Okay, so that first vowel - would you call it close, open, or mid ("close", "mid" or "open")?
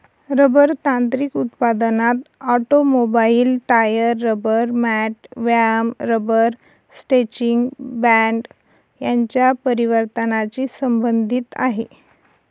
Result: mid